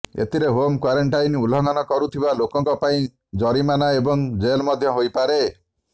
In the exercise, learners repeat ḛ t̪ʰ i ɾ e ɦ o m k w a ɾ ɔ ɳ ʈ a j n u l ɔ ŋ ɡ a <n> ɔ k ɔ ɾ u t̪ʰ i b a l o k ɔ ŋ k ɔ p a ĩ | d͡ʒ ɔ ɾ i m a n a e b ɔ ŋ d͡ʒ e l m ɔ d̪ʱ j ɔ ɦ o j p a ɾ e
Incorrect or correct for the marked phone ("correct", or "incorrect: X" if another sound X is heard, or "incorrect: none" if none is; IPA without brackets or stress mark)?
correct